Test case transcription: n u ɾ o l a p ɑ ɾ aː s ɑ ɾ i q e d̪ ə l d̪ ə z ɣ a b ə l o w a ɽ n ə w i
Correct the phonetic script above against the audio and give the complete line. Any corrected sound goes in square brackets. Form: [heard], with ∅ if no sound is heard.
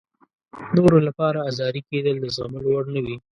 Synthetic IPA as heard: n [o] ɾ o l a p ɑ ɾ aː [z] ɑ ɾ i [k] e d̪ ə l d̪ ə z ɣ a [m] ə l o w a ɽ n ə w i